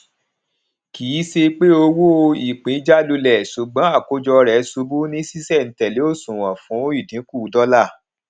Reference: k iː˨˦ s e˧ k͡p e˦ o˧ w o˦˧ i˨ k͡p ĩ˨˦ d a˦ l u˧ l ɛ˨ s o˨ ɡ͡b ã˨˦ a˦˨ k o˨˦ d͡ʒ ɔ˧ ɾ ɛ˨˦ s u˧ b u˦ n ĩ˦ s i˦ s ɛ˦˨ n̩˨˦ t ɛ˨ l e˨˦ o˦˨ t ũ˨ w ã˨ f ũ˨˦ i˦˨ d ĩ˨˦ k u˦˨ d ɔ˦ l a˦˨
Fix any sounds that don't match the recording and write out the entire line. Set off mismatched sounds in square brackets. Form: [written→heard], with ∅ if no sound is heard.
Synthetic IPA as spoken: k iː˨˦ s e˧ k͡p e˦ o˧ w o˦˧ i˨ k͡p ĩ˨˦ [d→d͡ʒ] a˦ l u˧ l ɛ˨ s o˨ ɡ͡b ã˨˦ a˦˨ k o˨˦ d͡ʒ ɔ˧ ɾ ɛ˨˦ s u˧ b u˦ n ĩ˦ s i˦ s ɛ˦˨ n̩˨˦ t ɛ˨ l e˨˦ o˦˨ [t→s] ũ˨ w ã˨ f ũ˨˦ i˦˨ d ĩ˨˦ k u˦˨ d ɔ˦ l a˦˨